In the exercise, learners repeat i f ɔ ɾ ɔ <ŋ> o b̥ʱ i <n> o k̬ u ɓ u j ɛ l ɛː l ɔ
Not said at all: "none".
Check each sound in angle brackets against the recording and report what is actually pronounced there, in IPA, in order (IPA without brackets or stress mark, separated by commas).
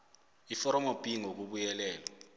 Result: m, ŋ